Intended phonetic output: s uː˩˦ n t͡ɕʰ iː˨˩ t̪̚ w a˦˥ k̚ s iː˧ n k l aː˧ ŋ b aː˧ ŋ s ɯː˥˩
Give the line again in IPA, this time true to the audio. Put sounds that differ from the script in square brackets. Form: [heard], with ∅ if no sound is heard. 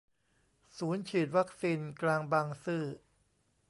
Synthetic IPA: s uː˩˦ n t͡ɕʰ iː˨˩ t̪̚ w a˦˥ k̚ s iː˧ n k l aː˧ ŋ b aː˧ ŋ s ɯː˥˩